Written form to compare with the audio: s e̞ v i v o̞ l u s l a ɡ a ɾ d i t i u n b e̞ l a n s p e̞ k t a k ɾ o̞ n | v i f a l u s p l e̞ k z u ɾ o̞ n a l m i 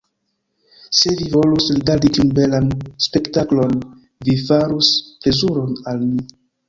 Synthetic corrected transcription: s e̞ v i v o̞ l u s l i ɡ a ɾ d i t i u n b e̞ l a n s p e̞ k t a k l o̞ n | v i f a ɾ u s p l e̞ z u ɾ o̞ n a l m i